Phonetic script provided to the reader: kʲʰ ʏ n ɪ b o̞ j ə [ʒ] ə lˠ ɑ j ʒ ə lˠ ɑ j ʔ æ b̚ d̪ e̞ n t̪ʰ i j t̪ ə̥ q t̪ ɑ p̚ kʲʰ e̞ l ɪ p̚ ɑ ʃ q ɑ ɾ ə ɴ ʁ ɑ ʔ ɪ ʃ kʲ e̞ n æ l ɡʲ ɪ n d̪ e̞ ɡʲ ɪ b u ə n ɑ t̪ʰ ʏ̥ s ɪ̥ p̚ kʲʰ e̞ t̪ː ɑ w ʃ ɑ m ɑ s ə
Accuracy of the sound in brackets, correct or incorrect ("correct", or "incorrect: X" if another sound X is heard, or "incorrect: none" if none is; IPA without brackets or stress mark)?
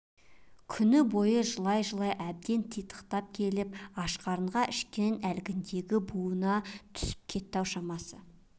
correct